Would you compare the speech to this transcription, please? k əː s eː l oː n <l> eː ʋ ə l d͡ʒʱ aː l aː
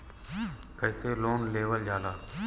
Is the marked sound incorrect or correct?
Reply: correct